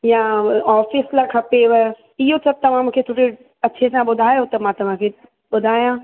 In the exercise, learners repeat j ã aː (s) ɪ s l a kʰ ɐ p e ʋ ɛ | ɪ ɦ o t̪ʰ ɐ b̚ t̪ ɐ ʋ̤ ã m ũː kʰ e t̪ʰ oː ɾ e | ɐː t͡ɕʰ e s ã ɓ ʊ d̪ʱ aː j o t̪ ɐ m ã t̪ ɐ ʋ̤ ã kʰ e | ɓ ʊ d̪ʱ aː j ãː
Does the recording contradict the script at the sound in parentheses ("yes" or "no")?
yes